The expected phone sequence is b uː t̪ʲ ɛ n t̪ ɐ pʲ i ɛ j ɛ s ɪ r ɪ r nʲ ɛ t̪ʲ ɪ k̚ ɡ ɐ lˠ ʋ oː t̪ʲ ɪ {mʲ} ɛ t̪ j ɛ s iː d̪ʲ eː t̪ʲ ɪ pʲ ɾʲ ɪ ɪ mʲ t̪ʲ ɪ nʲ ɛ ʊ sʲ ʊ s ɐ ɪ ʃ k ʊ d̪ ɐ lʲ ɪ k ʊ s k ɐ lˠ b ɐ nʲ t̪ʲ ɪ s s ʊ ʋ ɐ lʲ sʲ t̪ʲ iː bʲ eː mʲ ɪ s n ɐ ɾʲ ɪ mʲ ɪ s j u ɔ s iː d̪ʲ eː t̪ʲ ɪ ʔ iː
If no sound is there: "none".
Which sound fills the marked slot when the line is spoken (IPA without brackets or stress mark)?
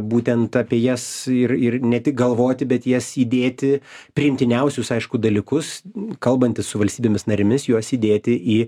bʲ